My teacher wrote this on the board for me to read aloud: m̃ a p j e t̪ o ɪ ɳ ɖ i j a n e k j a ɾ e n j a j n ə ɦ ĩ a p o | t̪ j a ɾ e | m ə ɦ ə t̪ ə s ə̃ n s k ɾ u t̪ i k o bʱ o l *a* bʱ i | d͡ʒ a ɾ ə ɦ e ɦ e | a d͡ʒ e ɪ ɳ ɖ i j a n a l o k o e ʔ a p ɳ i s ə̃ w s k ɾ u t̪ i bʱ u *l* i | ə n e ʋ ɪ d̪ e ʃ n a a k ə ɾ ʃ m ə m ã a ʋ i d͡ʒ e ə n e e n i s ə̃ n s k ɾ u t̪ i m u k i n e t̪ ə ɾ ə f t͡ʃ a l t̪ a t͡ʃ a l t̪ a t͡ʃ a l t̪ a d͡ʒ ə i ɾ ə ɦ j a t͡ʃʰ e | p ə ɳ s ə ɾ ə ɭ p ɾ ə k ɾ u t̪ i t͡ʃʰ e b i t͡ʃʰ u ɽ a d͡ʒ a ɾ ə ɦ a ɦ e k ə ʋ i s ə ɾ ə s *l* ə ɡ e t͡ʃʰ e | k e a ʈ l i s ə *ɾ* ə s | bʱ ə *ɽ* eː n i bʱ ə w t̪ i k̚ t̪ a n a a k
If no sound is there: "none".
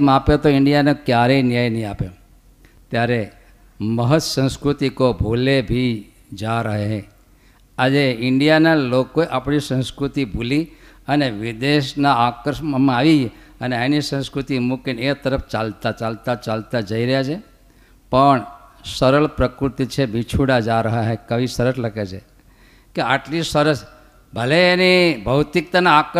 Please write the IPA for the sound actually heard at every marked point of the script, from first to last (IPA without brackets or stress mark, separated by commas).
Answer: e, l, l, ɾ, l